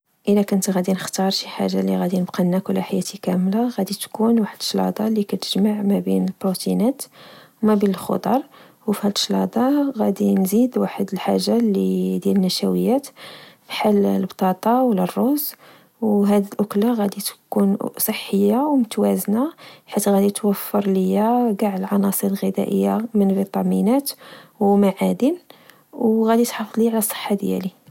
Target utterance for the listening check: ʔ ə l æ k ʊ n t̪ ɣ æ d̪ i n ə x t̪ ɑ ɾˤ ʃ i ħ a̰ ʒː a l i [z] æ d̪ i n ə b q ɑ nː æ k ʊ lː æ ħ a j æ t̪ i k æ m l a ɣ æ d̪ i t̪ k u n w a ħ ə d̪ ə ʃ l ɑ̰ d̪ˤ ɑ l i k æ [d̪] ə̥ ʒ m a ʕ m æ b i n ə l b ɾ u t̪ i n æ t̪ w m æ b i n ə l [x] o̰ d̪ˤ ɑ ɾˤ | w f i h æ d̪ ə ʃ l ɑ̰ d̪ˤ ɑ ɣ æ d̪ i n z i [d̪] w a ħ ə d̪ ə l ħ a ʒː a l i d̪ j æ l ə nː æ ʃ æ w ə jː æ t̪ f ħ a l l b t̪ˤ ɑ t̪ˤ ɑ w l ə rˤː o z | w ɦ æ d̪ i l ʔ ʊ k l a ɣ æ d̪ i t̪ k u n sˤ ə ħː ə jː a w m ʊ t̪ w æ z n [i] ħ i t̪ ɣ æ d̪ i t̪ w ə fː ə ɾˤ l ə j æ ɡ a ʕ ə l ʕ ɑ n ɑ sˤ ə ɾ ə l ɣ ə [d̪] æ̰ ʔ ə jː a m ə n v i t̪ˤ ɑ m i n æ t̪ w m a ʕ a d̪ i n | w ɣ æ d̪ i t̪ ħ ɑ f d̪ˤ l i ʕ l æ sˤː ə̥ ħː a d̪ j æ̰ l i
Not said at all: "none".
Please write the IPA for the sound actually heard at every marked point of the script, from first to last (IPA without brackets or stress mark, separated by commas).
ɣ, t̪, x, d̪, a, d̪